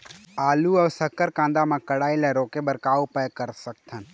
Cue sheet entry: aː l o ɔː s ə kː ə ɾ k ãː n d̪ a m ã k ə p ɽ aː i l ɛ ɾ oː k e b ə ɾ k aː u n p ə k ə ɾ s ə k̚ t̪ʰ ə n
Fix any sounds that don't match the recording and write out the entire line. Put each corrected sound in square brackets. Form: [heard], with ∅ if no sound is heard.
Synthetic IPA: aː l [u] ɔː s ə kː ə ɾ k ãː n d̪ a m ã k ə [∅] ɽ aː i l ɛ ɾ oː k e b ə ɾ k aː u [∅] p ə k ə ɾ s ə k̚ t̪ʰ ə n